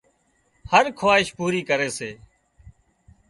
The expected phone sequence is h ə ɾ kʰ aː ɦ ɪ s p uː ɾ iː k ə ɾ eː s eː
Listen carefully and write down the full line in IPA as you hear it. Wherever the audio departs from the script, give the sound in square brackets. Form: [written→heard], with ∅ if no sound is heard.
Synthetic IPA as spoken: h ə ɾ kʰ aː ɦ ɪ [s→ʃ] p uː ɾ iː k ə ɾ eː s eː